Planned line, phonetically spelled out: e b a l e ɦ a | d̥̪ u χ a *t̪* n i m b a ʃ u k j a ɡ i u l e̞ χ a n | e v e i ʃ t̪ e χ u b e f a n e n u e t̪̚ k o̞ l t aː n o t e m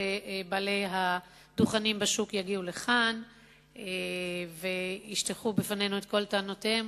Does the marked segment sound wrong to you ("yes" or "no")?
yes